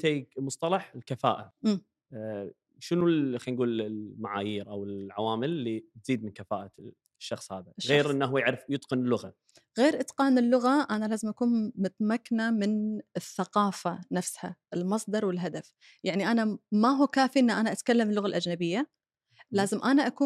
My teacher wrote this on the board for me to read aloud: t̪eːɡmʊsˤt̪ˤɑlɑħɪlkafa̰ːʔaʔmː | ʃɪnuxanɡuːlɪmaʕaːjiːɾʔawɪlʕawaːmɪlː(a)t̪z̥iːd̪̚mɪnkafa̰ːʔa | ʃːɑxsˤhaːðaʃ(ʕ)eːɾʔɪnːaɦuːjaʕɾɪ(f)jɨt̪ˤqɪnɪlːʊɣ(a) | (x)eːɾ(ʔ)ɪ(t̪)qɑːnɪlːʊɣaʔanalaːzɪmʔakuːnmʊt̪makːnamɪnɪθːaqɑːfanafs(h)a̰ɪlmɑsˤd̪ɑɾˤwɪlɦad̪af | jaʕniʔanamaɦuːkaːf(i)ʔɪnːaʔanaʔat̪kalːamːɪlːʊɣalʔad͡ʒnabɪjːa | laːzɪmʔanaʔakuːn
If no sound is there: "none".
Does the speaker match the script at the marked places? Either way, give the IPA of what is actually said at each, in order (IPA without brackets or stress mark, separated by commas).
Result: i, ɣ, f, a, ɣ, ʔ, t̪, h, i